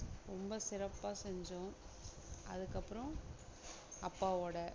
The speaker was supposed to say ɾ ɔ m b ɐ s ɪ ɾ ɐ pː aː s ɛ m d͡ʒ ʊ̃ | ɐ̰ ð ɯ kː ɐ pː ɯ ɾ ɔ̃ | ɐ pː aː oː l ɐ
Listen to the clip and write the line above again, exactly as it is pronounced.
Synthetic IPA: ɾ ɔ m b ɐ s ɪ ɾ ɐ pː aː s ɛ ɲ d͡ʒ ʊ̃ | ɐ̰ ð ɯ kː ɐ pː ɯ ɾ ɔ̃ | ɐ pː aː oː ɽ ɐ